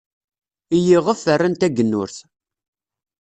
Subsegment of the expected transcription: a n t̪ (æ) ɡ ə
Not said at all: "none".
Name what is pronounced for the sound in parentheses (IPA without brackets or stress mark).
æ